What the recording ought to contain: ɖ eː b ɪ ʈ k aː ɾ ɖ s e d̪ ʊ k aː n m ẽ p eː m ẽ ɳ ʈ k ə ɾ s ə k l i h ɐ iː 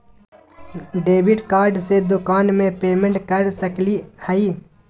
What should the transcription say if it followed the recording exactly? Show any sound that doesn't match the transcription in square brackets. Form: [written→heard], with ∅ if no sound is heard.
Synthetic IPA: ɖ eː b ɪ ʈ k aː ɾ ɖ s e d̪ ʊ k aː n m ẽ p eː m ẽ ɳ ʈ k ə ɾ s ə k l i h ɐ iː